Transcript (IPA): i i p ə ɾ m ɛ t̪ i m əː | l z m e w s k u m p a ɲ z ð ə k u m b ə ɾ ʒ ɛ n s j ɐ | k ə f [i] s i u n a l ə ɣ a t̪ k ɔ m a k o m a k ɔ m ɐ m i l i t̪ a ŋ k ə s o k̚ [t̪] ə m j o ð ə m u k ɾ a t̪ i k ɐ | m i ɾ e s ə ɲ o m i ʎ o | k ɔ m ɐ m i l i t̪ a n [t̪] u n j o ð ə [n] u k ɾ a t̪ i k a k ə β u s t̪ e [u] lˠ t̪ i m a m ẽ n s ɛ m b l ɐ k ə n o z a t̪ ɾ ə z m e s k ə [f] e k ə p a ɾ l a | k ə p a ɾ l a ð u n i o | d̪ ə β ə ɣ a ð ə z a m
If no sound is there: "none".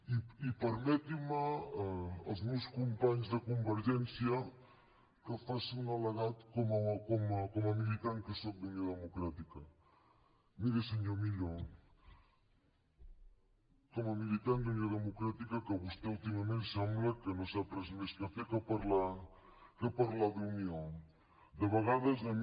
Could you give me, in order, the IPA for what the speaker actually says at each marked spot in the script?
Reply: a, d̪, d̪, m, u, f

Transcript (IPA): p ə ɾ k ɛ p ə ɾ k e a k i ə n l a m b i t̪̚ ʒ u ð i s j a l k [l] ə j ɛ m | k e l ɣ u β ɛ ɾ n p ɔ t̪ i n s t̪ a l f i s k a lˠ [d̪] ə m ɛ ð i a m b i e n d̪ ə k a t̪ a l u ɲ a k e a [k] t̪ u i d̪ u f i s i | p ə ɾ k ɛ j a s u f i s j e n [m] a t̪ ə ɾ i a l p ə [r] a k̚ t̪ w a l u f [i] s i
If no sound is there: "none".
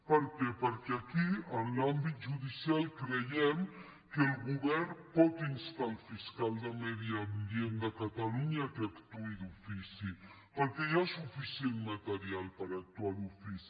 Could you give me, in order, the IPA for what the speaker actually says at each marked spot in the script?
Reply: ɾ, d̪, k, m, ɾ, i

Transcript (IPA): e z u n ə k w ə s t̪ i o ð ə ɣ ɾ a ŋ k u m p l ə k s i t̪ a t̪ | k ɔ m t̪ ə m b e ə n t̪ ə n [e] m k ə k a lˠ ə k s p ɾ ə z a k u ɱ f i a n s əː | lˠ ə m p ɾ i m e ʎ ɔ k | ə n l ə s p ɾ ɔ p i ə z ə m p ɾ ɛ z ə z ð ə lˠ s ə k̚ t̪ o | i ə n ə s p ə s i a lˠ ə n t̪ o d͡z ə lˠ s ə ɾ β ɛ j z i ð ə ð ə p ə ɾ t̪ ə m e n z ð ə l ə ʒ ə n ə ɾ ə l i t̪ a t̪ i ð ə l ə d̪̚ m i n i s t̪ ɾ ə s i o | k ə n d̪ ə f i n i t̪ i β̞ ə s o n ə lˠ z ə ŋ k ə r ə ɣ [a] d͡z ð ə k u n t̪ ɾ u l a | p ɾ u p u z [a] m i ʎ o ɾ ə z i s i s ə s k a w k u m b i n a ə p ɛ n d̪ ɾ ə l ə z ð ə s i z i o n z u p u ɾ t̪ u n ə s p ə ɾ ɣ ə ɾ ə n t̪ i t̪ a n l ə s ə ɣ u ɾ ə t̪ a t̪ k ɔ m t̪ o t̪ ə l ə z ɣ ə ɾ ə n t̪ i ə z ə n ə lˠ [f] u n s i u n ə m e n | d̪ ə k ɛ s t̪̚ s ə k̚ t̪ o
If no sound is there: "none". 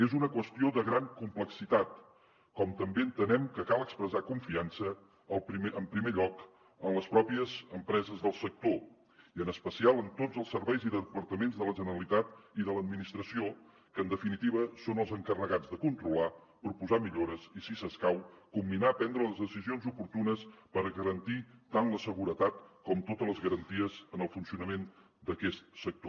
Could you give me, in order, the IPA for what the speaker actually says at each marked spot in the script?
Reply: ɛ, a, a, f

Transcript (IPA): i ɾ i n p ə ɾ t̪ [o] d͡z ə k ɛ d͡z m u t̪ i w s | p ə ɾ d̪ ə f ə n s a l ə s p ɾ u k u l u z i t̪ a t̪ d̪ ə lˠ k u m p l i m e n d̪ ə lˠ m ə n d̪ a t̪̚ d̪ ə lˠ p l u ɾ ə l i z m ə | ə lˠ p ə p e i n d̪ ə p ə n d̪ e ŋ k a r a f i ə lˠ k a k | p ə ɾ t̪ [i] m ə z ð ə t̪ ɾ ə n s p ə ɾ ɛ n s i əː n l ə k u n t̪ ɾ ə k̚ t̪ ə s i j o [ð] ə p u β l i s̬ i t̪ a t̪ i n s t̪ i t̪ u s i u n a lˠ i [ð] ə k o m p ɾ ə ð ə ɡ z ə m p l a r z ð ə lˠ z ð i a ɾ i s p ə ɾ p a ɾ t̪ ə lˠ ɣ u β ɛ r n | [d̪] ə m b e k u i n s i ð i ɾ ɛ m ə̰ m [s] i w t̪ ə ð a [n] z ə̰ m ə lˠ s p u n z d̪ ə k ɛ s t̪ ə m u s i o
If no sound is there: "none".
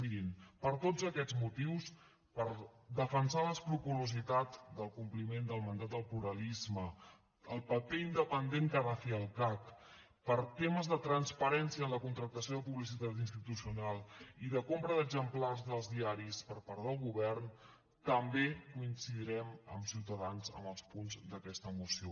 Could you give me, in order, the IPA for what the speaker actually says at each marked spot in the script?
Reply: o, e, ð, ð, t̪, s, n

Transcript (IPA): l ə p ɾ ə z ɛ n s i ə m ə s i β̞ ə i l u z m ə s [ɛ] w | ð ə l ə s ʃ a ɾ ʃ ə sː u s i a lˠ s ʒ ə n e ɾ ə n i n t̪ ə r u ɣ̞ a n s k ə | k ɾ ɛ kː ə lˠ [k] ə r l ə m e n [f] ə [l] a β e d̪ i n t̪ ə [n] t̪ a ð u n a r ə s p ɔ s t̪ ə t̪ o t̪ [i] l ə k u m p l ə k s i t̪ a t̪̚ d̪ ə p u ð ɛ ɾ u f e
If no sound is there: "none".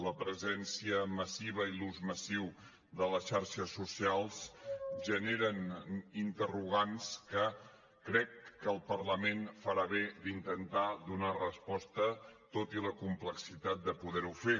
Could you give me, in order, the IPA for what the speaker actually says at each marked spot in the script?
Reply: i, p, f, ɾ, n, i

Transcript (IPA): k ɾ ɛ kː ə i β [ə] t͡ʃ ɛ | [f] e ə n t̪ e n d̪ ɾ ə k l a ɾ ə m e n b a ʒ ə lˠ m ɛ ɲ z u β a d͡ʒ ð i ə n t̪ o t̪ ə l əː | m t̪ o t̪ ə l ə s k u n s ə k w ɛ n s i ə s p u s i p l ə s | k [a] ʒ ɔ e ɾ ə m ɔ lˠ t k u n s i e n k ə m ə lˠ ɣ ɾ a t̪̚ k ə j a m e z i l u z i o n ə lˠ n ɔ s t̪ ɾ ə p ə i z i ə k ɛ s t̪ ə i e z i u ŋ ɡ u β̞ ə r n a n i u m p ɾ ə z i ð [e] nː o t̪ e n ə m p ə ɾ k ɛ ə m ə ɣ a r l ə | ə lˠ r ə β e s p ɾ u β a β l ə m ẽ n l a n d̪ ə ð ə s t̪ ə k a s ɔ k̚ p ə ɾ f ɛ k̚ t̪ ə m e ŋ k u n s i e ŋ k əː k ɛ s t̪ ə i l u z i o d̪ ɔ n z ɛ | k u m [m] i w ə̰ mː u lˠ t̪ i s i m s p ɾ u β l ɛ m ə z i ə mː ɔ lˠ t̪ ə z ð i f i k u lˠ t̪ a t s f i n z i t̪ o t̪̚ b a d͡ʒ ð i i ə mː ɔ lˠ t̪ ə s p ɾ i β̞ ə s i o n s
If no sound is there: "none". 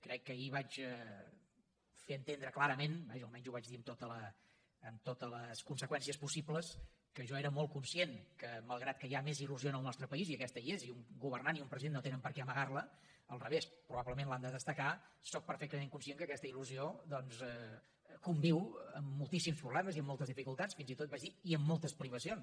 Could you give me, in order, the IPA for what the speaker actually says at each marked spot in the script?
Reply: a, f, ə, e, b

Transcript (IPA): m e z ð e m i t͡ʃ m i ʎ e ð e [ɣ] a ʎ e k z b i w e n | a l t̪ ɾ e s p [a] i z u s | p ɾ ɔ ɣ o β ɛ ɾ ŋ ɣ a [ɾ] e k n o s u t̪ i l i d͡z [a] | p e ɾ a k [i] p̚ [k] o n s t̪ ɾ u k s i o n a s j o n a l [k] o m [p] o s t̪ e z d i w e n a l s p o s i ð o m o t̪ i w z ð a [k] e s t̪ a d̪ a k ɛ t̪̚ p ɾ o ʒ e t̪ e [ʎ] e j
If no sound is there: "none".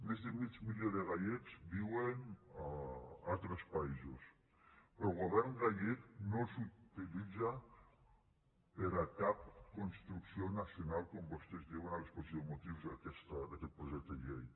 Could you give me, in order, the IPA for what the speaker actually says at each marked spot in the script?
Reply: ɣ, a, ʎ, a, a, k, k, b, k, ʎ

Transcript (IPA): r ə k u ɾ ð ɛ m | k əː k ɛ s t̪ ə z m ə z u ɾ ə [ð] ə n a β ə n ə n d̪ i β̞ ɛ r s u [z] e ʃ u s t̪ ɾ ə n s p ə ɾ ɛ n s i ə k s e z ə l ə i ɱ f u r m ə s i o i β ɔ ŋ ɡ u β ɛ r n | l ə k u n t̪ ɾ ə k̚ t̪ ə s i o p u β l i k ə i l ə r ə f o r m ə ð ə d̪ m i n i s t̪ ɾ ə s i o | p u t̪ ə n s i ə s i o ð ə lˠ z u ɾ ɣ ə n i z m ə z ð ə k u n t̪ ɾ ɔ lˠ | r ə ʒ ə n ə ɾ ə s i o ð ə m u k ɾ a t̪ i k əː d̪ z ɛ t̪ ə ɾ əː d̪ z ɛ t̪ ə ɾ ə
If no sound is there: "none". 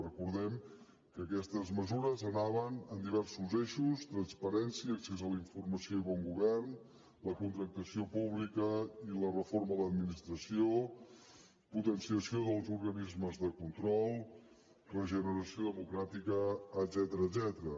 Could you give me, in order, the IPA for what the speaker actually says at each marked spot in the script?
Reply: z, z

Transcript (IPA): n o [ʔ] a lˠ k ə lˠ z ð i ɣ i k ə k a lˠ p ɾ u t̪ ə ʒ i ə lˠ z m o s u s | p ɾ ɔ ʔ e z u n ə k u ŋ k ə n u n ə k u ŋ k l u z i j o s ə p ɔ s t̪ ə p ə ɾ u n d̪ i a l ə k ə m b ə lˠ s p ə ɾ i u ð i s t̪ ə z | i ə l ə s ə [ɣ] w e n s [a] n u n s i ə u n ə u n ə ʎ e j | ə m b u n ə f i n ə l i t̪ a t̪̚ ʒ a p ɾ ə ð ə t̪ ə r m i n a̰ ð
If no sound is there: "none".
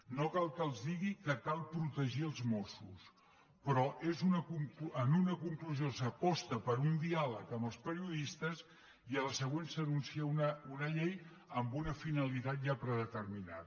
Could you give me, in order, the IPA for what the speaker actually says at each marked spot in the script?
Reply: k, ɣ, ə

